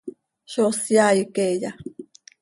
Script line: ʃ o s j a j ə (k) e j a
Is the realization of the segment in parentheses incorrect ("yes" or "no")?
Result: no